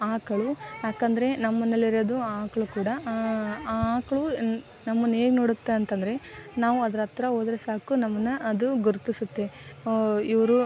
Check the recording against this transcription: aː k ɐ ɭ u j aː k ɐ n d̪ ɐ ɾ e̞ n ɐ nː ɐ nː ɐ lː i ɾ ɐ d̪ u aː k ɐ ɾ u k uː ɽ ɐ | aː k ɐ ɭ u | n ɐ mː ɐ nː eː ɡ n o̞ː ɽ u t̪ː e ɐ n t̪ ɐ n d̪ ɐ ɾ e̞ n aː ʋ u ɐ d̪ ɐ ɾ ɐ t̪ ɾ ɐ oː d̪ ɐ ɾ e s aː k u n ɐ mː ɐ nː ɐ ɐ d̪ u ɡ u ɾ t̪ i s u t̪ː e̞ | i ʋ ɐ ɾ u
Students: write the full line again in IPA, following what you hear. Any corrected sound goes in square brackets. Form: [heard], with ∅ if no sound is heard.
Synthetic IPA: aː k ɐ ɭ u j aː k ɐ n d̪ ɐ ɾ e̞ n ɐ [mː] ɐ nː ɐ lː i ɾ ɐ d̪ u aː k ɐ [ɭ] u k uː ɽ ɐ | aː k ɐ ɭ u | n ɐ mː ɐ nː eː ɡ n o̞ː ɽ u t̪ː e ɐ n t̪ ɐ n d̪ ɐ ɾ e̞ n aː ʋ u ɐ d̪ ɐ ɾ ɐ t̪ ɾ ɐ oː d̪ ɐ ɾ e s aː k u n ɐ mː ɐ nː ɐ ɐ d̪ u ɡ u ɾ t̪ i s u t̪ː e̞ | i ʋ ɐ ɾ u